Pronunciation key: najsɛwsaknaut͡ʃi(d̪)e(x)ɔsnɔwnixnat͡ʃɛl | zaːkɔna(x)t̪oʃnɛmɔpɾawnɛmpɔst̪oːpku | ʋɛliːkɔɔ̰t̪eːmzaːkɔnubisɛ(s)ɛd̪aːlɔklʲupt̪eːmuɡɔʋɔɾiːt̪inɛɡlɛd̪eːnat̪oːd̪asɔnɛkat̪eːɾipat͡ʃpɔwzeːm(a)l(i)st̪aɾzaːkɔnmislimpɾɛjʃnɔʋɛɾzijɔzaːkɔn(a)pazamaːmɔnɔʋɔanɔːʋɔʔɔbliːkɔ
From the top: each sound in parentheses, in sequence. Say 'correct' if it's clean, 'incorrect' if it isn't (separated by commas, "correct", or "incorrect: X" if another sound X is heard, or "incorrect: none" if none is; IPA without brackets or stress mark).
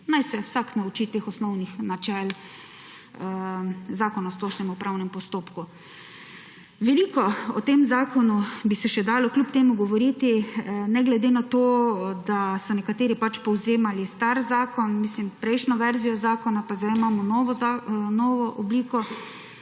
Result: incorrect: t̪, correct, incorrect: s, incorrect: ʃ, correct, correct, correct